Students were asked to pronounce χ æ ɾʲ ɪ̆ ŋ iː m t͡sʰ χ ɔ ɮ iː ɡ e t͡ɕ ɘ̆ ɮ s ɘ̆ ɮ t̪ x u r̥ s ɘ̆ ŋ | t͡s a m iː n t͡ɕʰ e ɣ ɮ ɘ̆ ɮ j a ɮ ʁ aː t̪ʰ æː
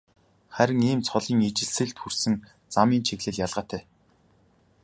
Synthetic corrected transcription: χ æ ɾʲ ɪ̆ ŋ iː m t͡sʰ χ ɔ ɮ iː ŋ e t͡ɕ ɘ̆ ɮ s ɘ̆ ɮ t̪ x u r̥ s ɘ̆ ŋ | t͡s a m iː n t͡ɕʰ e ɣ ɮ ɘ̆ ɮ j a ɮ ʁ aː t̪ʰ æː